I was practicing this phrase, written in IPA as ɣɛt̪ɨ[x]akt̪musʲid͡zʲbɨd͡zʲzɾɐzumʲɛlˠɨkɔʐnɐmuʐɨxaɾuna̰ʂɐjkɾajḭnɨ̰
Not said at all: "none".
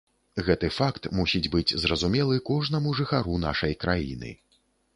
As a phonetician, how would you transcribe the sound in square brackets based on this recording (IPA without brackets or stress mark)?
f